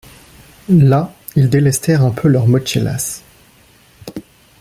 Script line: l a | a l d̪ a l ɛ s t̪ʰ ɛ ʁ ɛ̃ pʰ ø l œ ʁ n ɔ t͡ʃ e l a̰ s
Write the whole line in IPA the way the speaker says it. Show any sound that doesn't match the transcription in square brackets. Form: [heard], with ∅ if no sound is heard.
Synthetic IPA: l a | [i] l d̪ [e] l ɛ s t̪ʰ ɛ ʁ ɛ̃ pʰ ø l œ ʁ [m] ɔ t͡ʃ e l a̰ s